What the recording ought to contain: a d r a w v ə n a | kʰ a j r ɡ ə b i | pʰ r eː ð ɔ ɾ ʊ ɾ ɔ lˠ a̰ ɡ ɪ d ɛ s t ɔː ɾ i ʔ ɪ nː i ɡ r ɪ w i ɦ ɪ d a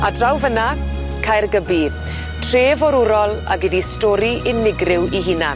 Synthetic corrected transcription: a d r a w v ə n a | kʰ a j r ɡ ə b i | tʰ r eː v ɔ ɾ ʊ ɾ ɔ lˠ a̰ ɡ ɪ d i s t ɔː ɾ i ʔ ɪ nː ɪ ɡ r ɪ w i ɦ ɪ n a